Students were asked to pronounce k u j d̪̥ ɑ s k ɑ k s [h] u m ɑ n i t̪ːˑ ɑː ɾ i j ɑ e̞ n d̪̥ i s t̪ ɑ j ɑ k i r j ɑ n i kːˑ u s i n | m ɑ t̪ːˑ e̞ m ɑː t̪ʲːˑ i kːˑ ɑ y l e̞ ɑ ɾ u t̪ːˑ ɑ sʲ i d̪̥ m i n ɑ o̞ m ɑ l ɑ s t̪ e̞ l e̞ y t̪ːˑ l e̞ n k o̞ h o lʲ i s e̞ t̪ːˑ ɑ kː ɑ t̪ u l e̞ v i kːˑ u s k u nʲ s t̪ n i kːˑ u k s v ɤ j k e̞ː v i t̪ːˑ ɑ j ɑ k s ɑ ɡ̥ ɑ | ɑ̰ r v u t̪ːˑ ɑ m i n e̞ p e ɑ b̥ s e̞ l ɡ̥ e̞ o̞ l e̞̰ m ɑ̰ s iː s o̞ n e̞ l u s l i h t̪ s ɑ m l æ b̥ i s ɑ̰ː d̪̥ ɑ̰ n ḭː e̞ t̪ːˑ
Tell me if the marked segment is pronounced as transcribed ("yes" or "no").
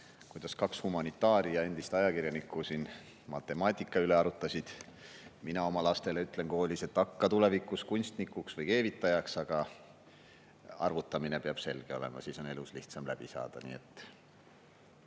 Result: yes